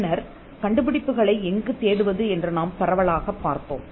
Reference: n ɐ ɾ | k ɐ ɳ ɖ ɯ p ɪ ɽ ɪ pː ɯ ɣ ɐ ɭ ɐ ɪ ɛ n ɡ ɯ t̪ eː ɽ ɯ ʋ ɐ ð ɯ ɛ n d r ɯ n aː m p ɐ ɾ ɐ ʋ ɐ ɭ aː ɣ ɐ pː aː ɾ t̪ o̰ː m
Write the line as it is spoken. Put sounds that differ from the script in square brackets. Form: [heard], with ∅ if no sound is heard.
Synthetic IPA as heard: n ɐ ɾ | k ɐ ɳ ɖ ɯ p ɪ ɽ ɪ pː ɯ ɣ ɐ ɭ ɐ ɪ ɛ [ŋ] ɡ ɯ t̪ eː ɽ ɯ ʋ ɐ ð ɯ ɛ n d r ɯ n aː m p ɐ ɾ ɐ ʋ ɐ ɭ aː ɣ ɐ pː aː ɾ t̪ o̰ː m